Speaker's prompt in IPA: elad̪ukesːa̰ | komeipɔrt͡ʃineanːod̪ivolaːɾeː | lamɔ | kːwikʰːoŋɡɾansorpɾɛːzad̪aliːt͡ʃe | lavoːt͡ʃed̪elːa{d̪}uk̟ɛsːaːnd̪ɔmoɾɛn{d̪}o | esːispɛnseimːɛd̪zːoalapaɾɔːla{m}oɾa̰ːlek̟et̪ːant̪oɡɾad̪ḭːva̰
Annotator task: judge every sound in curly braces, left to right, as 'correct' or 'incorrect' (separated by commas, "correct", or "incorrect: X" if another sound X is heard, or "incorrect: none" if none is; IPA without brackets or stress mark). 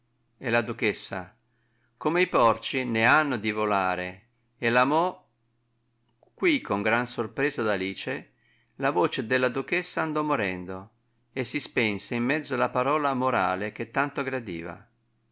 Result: correct, correct, correct